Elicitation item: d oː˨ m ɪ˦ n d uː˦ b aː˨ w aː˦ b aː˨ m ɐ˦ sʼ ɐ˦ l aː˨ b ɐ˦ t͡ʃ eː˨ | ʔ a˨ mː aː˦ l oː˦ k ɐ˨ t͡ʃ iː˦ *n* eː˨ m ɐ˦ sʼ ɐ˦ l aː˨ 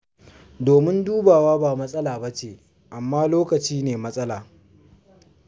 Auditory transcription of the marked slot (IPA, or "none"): n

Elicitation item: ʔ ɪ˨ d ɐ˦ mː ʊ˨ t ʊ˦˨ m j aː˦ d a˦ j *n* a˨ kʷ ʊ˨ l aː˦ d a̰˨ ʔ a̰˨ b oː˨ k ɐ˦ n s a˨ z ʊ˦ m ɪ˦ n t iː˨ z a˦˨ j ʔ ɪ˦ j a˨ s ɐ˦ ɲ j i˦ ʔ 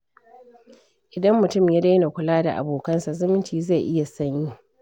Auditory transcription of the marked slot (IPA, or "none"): n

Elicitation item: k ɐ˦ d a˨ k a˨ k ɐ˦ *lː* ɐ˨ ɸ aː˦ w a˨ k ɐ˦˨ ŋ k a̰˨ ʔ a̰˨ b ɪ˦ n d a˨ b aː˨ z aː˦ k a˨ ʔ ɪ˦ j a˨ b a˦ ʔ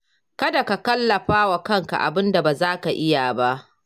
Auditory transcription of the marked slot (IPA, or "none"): lː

